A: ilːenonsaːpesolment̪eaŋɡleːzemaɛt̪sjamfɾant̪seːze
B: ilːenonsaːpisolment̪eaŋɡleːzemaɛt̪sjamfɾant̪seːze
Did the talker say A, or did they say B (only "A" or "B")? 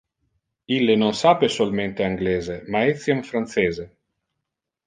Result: A